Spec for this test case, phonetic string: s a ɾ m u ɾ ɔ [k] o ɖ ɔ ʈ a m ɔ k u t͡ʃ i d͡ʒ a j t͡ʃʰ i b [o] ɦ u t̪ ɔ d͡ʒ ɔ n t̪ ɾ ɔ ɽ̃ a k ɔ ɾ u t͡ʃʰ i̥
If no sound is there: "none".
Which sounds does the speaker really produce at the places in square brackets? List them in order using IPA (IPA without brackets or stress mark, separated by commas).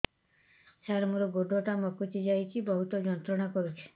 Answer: ɡ, ɔ